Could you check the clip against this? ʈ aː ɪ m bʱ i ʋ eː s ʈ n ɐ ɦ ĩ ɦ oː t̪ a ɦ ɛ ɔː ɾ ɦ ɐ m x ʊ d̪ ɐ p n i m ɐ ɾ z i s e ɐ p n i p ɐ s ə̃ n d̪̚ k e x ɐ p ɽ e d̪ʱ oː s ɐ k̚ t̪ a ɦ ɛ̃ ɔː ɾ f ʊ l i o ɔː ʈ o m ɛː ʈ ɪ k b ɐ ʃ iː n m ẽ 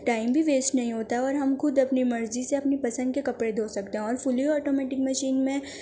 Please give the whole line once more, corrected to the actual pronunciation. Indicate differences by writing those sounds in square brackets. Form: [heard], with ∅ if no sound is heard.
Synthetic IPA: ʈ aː ɪ m bʱ i ʋ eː s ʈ n ɐ ɦ ĩ ɦ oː t̪ a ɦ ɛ ɔː ɾ ɦ ɐ m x ʊ d̪ ɐ p n i m ɐ ɾ z i s e ɐ p n i p ɐ s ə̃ n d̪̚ k e [k] ɐ p ɽ e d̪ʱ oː s ɐ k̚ t̪ [e] ɦ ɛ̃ ɔː ɾ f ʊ l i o ɔː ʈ o m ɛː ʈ ɪ k [m] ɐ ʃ iː n m ẽ